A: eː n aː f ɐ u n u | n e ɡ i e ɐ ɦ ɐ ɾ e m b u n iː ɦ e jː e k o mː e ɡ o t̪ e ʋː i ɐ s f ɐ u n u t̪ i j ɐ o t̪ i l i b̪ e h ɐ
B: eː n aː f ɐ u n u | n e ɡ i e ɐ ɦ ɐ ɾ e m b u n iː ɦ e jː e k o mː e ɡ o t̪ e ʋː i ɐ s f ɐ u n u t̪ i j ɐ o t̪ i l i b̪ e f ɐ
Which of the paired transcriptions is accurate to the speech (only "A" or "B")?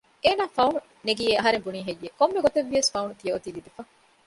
B